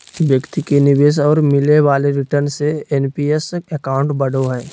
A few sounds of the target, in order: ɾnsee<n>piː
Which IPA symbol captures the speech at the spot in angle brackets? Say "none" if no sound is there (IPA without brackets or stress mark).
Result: n